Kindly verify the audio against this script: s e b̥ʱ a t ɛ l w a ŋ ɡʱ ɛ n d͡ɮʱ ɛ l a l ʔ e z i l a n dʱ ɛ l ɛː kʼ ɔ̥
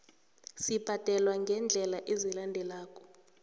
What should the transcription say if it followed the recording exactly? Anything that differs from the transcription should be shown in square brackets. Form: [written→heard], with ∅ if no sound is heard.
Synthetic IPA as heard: s [e→i] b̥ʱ a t ɛ l w a ŋ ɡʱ ɛ n d͡ɮʱ ɛ l a [l→∅] ʔ e z i l a n dʱ ɛ l [ɛː→aː] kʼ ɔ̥